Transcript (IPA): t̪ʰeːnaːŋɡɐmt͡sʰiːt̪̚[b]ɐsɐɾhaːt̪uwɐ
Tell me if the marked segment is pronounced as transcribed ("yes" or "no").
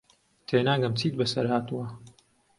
yes